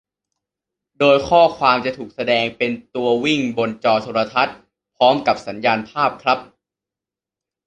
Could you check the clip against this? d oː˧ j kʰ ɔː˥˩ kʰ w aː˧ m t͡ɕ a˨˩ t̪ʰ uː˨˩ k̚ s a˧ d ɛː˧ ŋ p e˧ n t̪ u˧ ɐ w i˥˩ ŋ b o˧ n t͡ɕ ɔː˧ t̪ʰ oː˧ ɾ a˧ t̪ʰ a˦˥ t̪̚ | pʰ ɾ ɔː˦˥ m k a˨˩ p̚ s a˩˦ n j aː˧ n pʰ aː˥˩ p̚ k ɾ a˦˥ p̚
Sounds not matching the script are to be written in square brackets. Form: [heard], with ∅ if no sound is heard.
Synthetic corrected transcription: d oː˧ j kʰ ɔː˥˩ kʰ w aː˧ m t͡ɕ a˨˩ t̪ʰ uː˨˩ k̚ s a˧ d ɛː˧ ŋ p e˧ n t̪ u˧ ɐ w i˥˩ ŋ b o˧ n t͡ɕ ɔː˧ t̪ʰ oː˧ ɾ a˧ t̪ʰ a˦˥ t̪̚ | pʰ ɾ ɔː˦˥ m k a˨˩ p̚ s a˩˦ n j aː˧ n pʰ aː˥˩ p̚ [kʰ] ɾ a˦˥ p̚